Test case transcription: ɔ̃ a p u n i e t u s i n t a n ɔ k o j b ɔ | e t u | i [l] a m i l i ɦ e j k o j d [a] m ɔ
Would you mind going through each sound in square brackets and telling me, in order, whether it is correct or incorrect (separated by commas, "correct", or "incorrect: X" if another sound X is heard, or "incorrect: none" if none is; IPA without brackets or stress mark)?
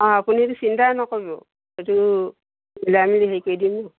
correct, incorrect: i